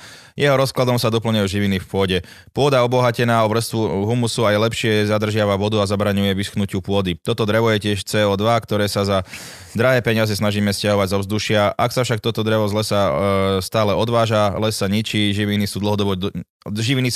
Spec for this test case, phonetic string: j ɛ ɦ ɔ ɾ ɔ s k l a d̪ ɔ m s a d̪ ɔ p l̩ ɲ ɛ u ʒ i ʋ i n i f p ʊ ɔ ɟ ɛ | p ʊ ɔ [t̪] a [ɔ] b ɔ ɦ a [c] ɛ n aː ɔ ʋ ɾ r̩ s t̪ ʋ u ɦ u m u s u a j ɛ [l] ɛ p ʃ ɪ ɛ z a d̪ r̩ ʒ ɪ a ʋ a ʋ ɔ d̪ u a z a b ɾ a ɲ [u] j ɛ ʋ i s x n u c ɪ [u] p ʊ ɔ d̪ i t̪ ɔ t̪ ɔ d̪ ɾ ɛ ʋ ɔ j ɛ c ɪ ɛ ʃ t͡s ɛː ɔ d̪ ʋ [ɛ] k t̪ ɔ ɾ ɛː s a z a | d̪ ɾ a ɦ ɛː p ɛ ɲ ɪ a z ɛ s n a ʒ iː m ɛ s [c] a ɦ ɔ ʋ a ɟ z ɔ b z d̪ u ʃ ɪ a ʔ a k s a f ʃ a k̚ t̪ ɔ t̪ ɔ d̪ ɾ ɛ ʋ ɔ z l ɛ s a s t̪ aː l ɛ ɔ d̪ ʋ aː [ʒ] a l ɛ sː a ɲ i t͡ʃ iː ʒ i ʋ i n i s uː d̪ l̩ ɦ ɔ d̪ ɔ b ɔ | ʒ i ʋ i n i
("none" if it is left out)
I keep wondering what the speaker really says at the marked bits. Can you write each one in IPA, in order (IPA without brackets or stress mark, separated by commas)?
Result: d̪, ɔ, c, l, u, u, a, c, ʒ